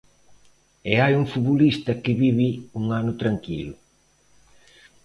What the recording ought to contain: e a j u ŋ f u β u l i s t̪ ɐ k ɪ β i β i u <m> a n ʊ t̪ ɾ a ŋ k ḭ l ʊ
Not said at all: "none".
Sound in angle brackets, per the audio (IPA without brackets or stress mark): ŋ